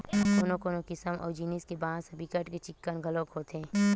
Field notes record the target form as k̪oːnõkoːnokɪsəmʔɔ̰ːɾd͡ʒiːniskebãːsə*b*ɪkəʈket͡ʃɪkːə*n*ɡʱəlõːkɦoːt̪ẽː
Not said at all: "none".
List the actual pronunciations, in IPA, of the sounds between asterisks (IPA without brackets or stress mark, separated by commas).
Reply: b, n